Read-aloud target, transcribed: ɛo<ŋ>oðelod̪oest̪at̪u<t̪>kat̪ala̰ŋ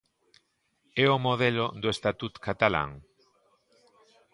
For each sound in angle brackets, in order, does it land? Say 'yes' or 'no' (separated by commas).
no, yes